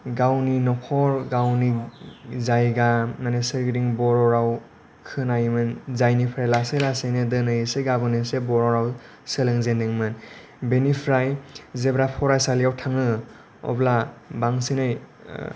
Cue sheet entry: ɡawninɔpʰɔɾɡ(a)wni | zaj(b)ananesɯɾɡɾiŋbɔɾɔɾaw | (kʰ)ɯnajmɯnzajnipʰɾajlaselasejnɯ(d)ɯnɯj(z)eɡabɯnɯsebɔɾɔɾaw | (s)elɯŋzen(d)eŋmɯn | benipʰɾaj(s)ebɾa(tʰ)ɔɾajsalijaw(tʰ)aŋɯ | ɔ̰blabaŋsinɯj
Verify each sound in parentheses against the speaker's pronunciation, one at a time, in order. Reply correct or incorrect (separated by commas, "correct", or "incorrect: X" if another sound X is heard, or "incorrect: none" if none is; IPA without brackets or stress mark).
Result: correct, incorrect: ɡ, correct, correct, incorrect: s, correct, correct, incorrect: z, incorrect: pʰ, correct